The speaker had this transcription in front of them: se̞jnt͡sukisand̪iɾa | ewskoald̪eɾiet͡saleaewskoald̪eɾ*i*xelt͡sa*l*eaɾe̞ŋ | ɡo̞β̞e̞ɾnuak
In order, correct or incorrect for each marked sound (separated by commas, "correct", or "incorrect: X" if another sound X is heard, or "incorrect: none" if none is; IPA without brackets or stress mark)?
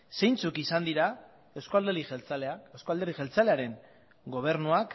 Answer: correct, correct